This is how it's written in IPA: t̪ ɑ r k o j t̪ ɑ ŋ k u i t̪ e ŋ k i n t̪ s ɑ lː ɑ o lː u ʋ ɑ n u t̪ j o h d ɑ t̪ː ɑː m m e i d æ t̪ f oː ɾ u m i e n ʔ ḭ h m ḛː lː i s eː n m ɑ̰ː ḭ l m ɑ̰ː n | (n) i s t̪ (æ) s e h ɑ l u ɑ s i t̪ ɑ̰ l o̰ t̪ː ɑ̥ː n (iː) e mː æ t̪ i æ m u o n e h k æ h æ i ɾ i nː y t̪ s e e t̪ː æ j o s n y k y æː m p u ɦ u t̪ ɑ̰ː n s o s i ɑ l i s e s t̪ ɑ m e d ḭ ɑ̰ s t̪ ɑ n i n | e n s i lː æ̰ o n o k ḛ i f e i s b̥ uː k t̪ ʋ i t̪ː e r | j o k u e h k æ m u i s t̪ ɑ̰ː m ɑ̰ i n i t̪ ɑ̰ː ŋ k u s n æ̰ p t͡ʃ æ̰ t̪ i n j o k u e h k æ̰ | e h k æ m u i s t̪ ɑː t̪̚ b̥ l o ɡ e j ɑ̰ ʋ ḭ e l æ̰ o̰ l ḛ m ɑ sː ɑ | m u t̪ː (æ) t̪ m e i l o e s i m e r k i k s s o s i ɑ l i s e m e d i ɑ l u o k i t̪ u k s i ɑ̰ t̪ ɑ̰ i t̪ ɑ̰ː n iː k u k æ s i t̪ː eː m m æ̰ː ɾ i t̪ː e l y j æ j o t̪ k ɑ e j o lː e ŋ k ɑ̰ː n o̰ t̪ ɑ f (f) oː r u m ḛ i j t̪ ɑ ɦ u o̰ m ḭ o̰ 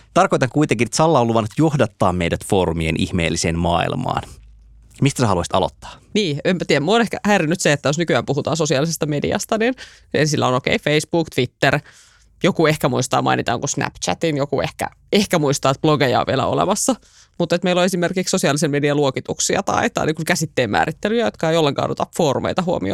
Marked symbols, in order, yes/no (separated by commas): no, yes, yes, no, yes